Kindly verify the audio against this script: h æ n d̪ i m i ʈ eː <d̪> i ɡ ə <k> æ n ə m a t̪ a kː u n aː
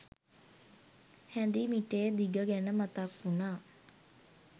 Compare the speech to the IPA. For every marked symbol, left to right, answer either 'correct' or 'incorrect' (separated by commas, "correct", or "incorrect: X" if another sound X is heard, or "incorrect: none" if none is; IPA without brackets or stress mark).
correct, incorrect: ɡ